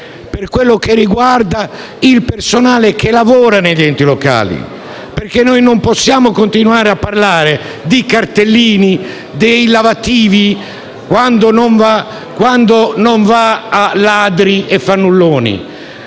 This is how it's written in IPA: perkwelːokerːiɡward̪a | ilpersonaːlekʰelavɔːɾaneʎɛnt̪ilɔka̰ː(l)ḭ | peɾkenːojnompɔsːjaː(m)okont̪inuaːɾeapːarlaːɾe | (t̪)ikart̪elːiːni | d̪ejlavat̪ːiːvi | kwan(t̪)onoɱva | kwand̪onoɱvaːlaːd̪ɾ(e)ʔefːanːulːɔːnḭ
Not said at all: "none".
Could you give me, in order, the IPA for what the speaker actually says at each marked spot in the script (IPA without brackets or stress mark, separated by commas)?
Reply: l, m, d̪, d̪, i